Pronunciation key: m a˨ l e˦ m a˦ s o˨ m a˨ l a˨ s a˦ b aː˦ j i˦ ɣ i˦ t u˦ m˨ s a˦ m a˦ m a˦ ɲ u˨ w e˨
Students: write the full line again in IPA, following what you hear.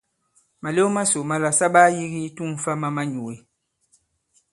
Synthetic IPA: m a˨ l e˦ m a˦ s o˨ m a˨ l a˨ s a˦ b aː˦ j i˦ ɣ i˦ t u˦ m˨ f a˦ m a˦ m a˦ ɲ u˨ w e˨